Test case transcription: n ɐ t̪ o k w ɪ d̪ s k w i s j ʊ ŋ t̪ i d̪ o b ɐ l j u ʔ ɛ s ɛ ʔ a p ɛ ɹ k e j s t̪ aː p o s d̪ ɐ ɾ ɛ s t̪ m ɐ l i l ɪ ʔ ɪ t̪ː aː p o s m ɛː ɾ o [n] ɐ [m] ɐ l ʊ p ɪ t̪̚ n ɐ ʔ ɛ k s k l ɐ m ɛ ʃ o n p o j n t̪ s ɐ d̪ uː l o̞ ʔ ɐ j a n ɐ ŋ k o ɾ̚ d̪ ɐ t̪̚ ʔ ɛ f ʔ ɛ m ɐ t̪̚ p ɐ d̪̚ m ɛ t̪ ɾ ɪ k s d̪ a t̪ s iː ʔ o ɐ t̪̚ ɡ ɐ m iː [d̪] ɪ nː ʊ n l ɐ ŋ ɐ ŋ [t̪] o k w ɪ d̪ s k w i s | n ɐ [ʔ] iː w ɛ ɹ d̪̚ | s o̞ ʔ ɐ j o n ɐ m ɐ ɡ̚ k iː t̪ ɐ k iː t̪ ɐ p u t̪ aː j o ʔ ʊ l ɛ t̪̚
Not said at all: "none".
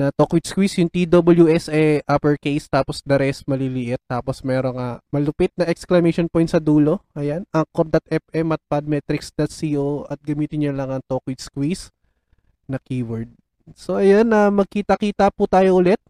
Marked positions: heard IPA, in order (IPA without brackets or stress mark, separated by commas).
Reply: ŋ, m, t̪, t̪, k